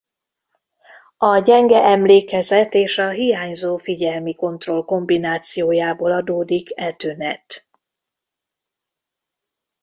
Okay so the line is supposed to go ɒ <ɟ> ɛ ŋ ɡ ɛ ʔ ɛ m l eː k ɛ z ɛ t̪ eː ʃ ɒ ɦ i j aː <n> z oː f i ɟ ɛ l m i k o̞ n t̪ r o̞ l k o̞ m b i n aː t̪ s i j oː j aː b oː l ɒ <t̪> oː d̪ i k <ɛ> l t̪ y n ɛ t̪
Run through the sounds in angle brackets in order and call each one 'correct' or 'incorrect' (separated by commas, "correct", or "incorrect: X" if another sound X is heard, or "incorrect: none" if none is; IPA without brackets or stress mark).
correct, incorrect: ɲ, incorrect: d̪, correct